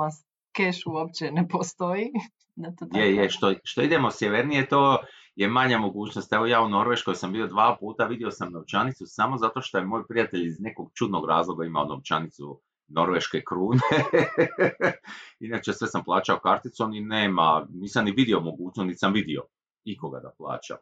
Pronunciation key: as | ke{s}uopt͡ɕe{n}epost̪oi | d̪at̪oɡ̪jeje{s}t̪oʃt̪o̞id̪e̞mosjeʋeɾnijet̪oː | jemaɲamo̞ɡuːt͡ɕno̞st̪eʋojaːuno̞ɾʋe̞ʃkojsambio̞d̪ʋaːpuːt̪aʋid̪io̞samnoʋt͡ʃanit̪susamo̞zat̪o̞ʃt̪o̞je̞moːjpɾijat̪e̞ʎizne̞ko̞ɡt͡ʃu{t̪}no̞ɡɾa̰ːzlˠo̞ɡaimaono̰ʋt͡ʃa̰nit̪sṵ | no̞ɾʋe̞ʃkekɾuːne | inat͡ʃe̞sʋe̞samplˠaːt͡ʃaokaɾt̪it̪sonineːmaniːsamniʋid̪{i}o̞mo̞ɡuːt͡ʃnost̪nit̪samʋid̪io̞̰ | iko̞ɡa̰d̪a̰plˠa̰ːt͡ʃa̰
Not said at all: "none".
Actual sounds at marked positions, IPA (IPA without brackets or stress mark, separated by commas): ʃ, n, ʃ, d̪, i